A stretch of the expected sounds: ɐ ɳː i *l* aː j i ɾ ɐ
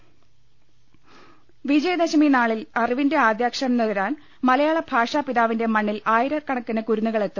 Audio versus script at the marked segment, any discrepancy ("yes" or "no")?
no